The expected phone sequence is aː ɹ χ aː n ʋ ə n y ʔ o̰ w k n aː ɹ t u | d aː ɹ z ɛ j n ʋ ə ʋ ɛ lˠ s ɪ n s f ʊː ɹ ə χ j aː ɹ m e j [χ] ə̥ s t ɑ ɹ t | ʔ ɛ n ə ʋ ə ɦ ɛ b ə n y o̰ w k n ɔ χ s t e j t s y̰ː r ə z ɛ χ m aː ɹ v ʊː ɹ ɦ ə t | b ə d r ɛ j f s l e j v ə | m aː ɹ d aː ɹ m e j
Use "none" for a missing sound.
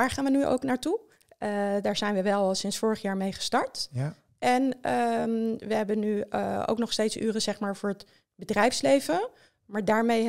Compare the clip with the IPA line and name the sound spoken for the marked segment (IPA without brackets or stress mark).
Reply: χ